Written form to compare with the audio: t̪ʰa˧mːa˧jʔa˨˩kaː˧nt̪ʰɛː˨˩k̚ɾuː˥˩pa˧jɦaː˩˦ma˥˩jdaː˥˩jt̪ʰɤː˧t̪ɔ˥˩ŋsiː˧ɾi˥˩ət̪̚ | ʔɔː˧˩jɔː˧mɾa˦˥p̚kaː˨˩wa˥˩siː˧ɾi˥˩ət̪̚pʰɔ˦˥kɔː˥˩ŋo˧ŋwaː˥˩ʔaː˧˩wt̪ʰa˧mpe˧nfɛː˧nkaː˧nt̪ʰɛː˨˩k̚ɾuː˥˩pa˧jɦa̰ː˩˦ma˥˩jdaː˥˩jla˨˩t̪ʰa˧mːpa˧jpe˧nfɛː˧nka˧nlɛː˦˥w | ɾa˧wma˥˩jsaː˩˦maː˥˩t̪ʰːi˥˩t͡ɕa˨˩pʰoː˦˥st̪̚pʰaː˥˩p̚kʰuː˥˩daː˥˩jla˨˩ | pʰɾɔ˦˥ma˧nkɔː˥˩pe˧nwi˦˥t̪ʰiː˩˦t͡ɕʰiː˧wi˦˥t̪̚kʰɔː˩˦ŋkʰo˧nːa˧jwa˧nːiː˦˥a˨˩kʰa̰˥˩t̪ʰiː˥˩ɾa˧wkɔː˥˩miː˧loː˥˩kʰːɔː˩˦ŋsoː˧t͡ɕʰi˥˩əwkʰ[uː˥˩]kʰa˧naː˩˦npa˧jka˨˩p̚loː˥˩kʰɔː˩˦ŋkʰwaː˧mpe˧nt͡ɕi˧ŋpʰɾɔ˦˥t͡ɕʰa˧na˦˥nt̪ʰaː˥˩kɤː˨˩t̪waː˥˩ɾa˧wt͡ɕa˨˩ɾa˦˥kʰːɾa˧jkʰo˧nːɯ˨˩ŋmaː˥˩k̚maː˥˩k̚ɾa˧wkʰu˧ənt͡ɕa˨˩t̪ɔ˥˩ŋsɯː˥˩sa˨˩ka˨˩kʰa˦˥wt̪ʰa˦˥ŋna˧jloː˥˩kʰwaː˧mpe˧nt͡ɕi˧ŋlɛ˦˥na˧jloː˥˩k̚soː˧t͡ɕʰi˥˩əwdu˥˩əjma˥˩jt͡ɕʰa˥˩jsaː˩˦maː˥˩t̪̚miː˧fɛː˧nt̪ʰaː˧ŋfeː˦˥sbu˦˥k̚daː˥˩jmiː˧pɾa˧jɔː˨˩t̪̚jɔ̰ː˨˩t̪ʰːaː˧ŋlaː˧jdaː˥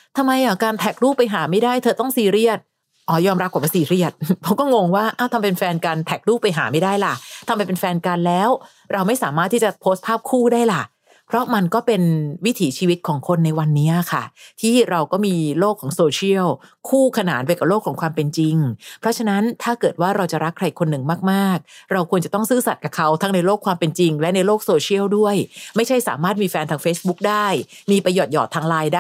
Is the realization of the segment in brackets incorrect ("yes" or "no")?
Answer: no